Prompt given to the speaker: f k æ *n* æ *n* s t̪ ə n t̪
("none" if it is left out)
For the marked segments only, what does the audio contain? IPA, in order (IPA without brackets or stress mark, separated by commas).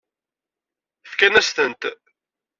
n, none